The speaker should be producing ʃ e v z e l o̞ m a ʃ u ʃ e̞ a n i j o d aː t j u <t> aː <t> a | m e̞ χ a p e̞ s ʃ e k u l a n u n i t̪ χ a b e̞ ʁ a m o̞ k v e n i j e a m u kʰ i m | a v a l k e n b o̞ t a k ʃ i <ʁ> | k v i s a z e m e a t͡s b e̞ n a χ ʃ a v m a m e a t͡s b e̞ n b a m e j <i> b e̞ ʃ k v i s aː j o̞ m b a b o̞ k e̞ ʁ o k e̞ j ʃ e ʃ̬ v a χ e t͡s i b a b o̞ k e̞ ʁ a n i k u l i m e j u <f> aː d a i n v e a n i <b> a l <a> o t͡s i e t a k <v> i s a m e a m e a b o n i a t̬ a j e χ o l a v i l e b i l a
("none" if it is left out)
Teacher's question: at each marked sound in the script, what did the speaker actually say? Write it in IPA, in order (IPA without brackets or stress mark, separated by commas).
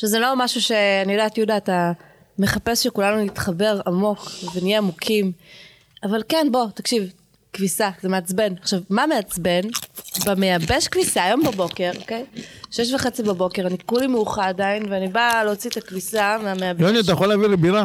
d, t, v, a, χ, b, e, v